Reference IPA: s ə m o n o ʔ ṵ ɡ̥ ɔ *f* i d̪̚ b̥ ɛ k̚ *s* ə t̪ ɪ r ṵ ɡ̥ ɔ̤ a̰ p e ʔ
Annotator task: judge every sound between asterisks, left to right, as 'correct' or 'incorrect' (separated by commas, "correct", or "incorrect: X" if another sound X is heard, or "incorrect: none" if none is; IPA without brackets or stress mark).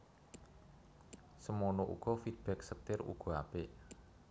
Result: correct, correct